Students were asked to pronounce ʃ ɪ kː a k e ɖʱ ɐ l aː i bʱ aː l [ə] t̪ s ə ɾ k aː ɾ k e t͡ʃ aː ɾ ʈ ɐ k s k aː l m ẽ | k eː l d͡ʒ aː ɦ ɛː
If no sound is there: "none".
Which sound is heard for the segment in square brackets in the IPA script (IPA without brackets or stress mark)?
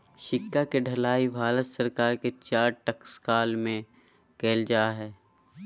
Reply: ə